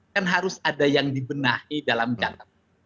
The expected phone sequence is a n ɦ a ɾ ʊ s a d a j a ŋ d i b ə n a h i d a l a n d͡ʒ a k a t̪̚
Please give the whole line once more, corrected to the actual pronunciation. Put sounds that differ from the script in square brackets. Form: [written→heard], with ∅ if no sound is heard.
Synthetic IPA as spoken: a n ɦ a ɾ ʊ s a d a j a ŋ d i b ə n a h i d a l a [n→m] d͡ʒ a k a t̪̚